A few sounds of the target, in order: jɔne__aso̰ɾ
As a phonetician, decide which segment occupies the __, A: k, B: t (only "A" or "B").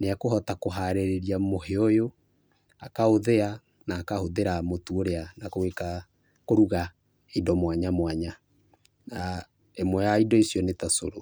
B